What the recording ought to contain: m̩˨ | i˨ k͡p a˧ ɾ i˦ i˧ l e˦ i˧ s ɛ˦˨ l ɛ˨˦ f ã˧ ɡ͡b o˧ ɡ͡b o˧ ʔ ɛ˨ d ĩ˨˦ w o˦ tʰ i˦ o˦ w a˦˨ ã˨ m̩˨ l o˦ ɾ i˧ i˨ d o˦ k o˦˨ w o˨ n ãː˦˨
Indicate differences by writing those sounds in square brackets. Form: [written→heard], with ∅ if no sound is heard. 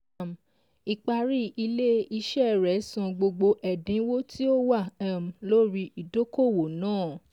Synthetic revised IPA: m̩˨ | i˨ k͡p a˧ ɾ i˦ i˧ l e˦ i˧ [s→ʃ] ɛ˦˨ [l→ɾ] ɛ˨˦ [f→s] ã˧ ɡ͡b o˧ ɡ͡b o˧ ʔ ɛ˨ d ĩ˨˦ w o˦ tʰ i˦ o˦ w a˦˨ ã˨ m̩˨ l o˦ ɾ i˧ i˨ d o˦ k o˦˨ w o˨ n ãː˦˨